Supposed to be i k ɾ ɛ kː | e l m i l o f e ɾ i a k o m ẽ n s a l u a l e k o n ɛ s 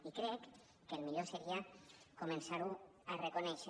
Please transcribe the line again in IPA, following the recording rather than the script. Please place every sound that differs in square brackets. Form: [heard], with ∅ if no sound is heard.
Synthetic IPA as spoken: i k ɾ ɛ kː | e l m i [ʎ] o [s] e ɾ i a k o m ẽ n s a [ɾ] u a [r] e k o n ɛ [ʃ]